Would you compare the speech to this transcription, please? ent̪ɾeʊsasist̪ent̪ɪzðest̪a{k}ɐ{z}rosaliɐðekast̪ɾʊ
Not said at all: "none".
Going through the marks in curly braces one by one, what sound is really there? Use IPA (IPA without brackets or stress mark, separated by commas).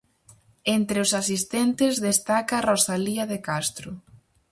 k, none